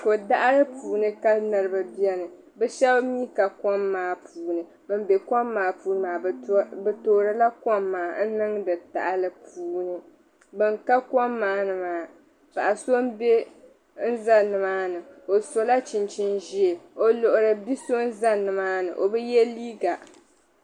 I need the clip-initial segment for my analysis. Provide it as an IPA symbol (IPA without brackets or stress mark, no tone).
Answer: k